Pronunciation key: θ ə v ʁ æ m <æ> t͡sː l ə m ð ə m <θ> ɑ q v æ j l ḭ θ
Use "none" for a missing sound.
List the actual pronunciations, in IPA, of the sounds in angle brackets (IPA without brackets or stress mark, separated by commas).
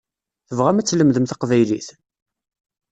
æ, θ